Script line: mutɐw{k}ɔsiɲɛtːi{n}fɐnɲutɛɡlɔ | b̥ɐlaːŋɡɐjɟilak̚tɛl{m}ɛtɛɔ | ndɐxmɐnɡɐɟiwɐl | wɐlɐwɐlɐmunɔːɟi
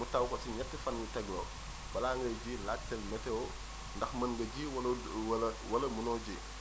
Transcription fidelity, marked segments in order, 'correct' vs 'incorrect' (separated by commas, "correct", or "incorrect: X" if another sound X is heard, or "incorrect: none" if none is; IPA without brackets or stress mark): correct, incorrect: none, correct